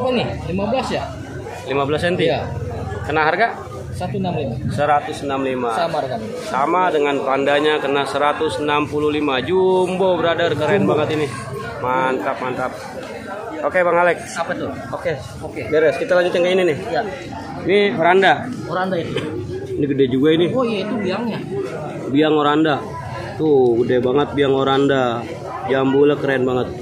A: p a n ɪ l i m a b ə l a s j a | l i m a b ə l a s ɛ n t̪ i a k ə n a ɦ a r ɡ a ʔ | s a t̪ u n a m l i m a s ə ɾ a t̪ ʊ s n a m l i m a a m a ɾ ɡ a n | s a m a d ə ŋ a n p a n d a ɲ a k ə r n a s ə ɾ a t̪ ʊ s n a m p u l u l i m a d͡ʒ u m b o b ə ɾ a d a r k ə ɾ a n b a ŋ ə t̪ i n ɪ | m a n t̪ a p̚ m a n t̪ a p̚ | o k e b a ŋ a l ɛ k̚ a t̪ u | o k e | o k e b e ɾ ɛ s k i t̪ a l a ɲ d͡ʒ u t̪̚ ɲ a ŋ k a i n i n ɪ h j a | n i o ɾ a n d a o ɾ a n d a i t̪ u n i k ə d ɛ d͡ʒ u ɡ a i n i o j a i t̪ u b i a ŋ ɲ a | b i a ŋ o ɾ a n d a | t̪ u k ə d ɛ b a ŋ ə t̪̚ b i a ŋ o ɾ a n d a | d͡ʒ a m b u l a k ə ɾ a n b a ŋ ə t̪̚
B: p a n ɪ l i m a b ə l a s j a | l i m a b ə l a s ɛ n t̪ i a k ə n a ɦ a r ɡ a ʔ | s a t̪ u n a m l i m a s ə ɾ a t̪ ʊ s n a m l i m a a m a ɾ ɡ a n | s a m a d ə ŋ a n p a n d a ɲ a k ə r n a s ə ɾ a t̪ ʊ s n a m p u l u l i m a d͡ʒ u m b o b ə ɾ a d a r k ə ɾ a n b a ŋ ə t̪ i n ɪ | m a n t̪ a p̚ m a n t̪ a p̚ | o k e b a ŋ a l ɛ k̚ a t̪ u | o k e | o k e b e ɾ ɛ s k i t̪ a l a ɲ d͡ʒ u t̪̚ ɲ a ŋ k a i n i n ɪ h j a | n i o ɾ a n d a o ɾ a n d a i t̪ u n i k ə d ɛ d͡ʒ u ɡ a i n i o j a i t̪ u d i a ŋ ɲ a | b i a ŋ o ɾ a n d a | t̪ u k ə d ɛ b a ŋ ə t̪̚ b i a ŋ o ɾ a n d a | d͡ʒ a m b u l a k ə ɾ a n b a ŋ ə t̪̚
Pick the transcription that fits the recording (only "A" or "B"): A